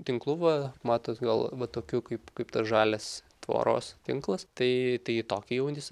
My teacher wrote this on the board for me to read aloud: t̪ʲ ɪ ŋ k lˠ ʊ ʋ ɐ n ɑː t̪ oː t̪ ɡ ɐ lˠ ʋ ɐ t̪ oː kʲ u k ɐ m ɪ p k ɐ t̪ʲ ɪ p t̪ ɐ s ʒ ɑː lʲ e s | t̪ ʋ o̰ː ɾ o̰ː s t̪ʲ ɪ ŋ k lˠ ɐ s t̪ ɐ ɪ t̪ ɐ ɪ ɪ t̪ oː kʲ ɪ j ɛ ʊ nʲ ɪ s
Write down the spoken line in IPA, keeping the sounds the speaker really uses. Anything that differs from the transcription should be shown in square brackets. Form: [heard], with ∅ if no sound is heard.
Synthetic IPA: t̪ʲ ɪ ŋ k lˠ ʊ ʋ ɐ [m] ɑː t̪ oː t̪ ɡ ɐ lˠ ʋ ɐ t̪ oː kʲ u k ɐ [∅] ɪ p k ɐ [∅] ɪ p t̪ ɐ s ʒ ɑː lʲ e s | t̪ ʋ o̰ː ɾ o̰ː s t̪ʲ ɪ ŋ k lˠ ɐ s t̪ ɐ ɪ t̪ ɐ ɪ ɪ t̪ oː kʲ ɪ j ɛ ʊ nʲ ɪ s